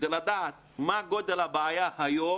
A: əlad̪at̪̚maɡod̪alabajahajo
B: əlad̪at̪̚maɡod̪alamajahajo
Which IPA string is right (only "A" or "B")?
A